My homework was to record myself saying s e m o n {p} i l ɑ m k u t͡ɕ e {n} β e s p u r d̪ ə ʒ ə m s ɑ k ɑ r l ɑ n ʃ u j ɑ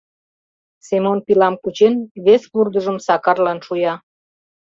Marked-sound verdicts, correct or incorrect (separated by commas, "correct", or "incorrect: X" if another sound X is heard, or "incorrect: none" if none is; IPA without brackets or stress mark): correct, correct